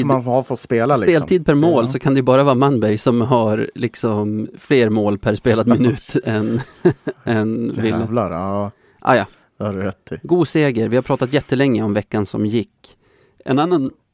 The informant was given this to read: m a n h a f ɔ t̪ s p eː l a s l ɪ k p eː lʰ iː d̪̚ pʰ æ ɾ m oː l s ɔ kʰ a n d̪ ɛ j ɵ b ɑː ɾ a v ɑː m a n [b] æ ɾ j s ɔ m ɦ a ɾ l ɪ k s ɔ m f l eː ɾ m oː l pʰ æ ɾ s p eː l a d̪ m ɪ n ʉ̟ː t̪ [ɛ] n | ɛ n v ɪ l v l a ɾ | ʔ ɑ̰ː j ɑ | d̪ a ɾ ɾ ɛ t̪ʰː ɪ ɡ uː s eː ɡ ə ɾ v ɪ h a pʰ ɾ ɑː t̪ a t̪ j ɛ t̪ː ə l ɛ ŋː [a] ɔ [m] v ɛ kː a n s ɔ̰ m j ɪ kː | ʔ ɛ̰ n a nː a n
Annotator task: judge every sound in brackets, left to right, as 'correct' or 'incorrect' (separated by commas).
correct, correct, incorrect, correct